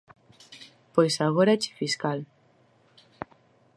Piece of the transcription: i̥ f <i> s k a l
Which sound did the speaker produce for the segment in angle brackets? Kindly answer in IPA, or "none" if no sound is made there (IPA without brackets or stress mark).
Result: i